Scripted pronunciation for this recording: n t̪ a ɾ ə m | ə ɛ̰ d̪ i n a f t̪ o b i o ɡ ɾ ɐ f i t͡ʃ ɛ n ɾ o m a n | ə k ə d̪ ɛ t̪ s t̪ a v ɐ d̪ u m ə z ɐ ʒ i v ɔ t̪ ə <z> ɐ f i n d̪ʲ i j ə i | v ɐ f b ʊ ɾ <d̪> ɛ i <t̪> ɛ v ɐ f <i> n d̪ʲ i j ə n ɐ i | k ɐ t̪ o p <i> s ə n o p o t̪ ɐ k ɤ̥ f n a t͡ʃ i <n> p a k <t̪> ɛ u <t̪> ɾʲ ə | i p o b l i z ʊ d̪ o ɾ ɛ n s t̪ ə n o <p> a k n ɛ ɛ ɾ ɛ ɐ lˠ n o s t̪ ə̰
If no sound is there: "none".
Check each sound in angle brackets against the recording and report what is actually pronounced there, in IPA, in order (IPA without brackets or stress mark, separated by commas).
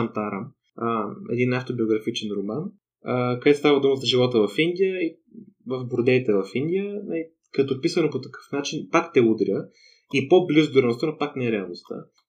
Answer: v, d̪, t̪, i, i, n, t̪, d̪, p